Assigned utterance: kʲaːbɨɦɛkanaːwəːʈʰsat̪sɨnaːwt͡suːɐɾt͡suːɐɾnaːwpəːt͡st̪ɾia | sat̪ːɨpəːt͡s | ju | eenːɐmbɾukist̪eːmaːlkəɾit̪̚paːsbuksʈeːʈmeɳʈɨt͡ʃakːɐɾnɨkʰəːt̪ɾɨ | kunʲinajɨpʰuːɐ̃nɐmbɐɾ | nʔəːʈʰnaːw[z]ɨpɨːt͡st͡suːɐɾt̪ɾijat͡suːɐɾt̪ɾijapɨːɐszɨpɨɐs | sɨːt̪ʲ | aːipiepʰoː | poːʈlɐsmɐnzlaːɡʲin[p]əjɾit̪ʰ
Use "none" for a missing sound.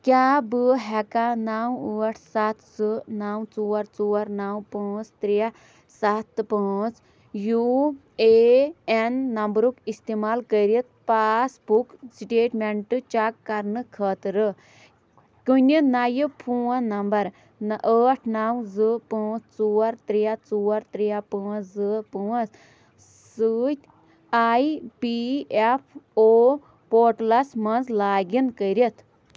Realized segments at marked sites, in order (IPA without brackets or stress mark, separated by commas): z, k